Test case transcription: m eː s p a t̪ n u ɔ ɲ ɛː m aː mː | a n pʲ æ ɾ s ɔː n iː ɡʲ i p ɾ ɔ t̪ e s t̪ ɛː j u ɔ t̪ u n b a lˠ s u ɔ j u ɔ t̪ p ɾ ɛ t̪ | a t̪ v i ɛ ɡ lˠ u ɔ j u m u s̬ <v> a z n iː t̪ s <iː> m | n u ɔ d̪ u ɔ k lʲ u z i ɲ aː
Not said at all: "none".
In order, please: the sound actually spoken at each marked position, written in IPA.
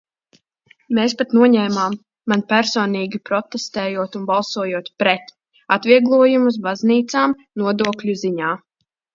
b, aː

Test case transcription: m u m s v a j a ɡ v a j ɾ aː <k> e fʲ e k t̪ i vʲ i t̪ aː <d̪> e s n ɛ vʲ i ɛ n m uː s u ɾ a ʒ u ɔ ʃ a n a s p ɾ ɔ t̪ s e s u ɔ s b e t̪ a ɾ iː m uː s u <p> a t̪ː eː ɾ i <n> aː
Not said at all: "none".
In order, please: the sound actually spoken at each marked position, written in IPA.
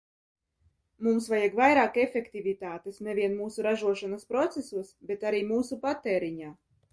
k, t̪, p, ɲ

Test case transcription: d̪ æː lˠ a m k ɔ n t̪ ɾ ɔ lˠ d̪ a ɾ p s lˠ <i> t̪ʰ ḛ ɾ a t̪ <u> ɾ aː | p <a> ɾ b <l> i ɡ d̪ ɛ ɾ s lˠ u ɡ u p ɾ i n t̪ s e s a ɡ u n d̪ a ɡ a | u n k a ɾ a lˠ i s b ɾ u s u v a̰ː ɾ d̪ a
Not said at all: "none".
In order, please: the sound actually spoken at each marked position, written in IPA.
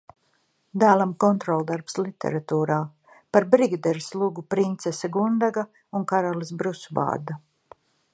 i, uː, a, ɾ

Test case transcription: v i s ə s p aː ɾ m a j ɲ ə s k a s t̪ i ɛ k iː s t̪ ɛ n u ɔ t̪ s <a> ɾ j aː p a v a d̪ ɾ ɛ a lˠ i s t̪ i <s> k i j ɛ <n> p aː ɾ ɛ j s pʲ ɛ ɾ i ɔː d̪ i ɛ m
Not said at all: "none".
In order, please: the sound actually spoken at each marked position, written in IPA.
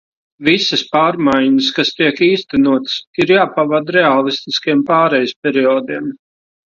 i, s, m

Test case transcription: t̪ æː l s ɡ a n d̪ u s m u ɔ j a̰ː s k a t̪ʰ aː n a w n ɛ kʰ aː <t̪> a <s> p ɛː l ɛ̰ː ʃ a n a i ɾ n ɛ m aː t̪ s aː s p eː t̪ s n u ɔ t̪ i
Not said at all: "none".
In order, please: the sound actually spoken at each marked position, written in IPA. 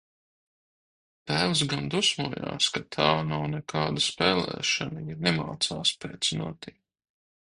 d̪, s

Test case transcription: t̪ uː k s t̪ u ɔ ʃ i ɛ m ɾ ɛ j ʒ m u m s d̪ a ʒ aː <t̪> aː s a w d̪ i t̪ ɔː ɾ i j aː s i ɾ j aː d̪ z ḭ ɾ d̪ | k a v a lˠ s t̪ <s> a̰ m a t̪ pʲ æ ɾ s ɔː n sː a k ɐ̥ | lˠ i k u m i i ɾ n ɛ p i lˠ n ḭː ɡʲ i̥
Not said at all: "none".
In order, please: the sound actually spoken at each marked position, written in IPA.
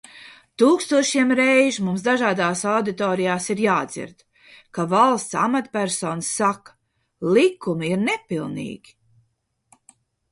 d̪, s

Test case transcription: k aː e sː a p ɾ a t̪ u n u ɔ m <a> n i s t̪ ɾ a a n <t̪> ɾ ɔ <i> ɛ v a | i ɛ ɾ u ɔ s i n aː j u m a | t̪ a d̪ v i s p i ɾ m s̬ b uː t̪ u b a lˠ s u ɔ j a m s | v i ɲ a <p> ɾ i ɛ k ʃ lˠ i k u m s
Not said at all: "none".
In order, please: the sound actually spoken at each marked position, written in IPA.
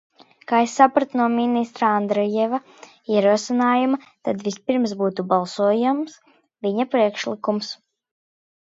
i, d̪, j, p

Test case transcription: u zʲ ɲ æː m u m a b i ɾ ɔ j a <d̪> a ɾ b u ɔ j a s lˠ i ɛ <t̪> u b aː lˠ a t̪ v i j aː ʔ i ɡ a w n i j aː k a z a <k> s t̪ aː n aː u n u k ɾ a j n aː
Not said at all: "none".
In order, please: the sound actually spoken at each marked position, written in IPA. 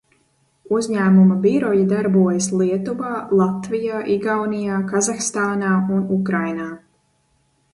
d̪, t̪, x

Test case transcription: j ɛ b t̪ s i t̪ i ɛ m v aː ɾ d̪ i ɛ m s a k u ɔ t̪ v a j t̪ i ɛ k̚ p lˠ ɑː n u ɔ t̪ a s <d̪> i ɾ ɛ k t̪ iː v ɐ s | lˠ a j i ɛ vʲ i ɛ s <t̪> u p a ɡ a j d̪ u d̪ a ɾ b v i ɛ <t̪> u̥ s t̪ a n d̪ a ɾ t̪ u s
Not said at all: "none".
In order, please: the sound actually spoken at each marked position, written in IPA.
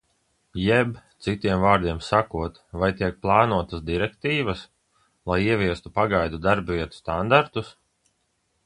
d̪, t̪, t̪

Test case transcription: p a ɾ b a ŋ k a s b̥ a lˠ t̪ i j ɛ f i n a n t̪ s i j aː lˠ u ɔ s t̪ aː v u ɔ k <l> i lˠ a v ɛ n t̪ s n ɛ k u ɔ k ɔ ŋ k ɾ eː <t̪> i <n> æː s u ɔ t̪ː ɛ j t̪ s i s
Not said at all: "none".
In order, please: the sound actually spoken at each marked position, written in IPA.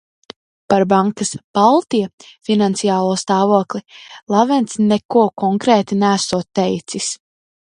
l, t̪, n

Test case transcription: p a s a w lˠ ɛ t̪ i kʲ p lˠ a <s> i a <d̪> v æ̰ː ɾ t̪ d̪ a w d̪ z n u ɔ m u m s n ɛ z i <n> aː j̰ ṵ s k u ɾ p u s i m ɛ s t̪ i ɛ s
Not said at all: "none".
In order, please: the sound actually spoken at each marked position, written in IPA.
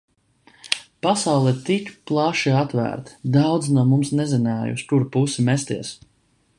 ʃ, t̪, n

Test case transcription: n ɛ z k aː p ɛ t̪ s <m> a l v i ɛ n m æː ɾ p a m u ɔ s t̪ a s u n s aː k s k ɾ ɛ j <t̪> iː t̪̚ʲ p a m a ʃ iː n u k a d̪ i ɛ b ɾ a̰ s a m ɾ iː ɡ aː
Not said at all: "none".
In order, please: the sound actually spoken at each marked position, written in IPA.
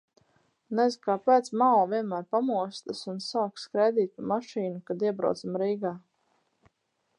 m, d̪

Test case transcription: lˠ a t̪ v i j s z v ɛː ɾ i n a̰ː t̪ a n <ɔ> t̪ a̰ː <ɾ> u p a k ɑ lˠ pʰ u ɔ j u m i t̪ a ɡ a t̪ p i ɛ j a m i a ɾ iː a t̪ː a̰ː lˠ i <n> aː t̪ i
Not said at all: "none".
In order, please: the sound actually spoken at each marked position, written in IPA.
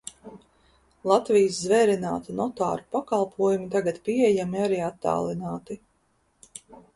ɔ, ɾ, n

